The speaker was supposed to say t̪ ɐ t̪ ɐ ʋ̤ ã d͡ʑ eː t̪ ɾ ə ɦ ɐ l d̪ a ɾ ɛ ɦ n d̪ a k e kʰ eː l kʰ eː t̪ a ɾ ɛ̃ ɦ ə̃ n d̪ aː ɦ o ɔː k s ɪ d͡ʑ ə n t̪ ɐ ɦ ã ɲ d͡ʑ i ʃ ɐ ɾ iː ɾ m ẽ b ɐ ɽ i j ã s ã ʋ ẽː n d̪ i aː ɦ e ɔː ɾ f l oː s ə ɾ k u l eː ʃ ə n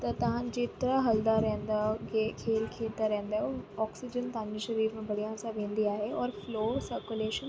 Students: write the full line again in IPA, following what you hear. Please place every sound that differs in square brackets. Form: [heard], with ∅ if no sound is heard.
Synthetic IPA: t̪ ɐ t̪ ɐ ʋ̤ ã d͡ʑ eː t̪ ɾ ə ɦ ɐ l d̪ a ɾ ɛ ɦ n d̪ a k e kʰ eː l kʰ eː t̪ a ɾ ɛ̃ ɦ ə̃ n d̪ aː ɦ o ɔː k s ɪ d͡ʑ ə n t̪ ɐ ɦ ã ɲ d͡ʑ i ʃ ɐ ɾ iː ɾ m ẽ b ɐ ɽ i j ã s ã ʋ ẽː n d̪ i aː ɦ e ɔː ɾ f l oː s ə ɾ k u l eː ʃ ə n